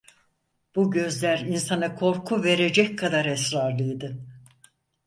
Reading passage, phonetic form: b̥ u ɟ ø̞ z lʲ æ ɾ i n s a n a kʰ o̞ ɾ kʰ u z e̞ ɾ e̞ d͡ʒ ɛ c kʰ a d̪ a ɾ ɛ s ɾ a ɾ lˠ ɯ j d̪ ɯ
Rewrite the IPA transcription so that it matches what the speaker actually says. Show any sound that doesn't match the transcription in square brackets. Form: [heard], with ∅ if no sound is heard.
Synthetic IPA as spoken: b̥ u ɟ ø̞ z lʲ æ ɾ i n s a n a kʰ o̞ ɾ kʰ u [v] e̞ ɾ e̞ d͡ʒ ɛ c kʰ a d̪ a ɾ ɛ s ɾ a ɾ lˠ ɯ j d̪ ɯ